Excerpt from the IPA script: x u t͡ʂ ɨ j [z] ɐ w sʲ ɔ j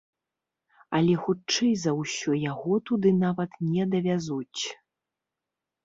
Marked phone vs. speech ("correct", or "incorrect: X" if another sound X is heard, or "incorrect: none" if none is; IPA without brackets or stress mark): correct